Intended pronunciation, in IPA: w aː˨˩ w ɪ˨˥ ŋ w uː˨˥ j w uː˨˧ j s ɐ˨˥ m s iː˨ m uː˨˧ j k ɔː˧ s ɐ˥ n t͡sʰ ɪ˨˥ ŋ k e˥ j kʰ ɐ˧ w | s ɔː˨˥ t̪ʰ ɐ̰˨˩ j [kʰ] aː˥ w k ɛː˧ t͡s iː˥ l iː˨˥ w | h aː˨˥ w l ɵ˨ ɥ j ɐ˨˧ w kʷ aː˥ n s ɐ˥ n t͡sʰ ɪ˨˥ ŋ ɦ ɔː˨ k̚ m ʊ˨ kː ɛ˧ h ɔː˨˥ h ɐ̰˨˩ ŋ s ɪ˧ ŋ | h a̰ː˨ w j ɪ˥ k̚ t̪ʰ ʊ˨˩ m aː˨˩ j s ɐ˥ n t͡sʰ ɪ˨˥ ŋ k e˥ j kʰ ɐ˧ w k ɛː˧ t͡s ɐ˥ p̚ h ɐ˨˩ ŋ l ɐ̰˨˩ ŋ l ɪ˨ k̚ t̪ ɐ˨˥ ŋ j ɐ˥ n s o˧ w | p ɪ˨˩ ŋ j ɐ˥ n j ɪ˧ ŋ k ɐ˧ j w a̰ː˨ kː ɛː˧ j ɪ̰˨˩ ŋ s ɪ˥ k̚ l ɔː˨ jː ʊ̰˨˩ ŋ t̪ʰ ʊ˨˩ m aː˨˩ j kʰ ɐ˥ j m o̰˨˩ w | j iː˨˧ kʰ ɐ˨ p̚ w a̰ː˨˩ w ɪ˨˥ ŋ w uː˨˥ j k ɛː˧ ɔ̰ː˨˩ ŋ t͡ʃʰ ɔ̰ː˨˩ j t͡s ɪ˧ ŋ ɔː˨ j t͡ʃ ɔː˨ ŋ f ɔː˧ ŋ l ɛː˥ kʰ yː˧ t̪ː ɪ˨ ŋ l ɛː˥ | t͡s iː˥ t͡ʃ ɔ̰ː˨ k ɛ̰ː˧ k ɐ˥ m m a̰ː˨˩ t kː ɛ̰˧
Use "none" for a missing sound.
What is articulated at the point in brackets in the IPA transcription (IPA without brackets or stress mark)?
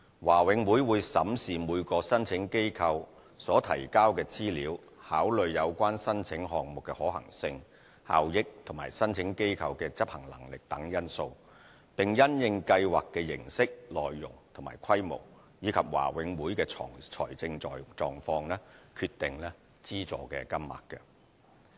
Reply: k